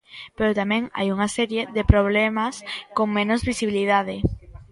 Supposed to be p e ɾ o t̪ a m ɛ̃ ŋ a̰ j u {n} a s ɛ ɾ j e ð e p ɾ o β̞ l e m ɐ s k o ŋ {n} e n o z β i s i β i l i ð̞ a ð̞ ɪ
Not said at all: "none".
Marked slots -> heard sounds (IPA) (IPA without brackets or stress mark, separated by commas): ŋ, m